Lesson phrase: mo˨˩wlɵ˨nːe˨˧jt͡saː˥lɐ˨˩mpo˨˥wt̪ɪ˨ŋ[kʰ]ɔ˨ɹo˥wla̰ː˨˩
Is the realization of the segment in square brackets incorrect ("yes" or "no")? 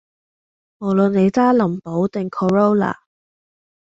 no